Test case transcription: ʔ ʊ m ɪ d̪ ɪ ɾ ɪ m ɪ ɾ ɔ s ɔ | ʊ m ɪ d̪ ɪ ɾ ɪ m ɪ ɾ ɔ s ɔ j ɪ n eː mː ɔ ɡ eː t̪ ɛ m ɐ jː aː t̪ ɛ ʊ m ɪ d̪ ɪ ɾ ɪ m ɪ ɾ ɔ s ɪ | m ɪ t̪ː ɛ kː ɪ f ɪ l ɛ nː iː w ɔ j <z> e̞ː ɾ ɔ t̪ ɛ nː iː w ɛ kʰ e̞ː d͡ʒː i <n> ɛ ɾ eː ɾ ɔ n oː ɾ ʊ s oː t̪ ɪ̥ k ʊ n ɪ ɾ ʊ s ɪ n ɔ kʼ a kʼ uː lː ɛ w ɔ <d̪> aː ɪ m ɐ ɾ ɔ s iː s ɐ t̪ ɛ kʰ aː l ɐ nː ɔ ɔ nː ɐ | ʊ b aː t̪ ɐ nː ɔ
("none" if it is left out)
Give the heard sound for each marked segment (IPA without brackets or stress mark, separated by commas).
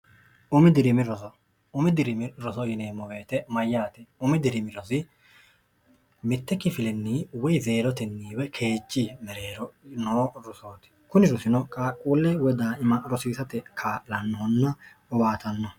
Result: z, m, d̪